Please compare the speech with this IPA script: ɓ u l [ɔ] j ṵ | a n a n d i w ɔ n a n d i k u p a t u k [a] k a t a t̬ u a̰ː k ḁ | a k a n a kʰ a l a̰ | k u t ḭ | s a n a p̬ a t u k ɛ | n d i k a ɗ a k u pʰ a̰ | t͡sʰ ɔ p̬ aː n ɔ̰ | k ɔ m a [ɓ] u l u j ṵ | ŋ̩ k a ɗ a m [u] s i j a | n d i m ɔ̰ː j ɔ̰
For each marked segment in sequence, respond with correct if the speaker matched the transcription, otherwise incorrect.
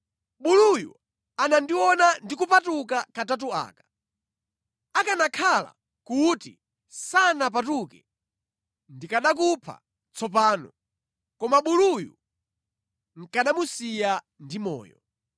incorrect, correct, correct, correct

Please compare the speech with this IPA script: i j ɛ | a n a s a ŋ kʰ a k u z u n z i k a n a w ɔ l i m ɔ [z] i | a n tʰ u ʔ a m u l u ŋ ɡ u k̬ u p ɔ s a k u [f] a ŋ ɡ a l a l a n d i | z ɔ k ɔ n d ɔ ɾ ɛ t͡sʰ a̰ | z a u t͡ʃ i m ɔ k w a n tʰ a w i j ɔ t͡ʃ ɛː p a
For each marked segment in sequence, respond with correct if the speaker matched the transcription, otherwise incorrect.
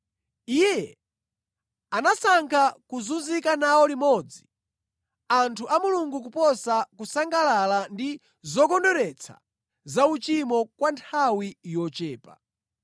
incorrect, incorrect

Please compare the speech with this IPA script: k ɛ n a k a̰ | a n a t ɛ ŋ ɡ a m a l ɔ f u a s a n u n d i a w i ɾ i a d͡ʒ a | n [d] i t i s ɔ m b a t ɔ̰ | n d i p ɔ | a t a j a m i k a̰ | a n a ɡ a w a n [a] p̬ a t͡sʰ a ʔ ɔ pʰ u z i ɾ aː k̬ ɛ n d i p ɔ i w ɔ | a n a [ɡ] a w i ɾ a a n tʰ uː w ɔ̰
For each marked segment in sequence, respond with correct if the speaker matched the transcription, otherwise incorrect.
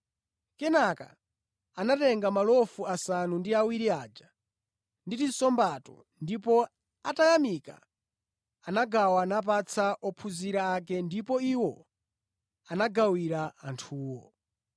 correct, correct, correct

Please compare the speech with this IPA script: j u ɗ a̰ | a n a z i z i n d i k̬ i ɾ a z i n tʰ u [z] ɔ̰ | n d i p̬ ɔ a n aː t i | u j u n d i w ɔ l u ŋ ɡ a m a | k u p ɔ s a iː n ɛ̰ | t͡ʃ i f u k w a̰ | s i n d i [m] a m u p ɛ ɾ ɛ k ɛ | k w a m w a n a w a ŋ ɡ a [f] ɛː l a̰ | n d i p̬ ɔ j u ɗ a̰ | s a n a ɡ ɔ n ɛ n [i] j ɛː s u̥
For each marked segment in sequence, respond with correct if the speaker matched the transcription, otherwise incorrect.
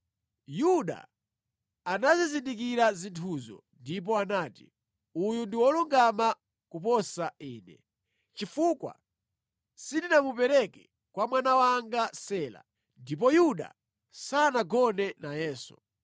correct, incorrect, incorrect, incorrect

